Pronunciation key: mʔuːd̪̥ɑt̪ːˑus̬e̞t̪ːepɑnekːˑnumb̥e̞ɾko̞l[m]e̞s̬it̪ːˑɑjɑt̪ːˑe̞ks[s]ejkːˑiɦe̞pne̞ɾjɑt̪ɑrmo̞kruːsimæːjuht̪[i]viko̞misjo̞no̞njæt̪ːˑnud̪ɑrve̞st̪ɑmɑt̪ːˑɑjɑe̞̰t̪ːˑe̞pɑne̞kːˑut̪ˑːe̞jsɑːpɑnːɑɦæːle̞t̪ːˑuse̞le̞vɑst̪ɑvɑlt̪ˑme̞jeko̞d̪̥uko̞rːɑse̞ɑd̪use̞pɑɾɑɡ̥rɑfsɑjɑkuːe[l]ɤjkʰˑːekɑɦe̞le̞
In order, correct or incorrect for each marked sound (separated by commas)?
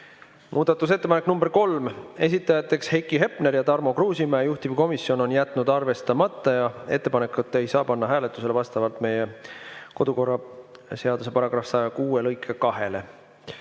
correct, incorrect, correct, correct